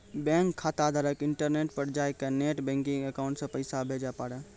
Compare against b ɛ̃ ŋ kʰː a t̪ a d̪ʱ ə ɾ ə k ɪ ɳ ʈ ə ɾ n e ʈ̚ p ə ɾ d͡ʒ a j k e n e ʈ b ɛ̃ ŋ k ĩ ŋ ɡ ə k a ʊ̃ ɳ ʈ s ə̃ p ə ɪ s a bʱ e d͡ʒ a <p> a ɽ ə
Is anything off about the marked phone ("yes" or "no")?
no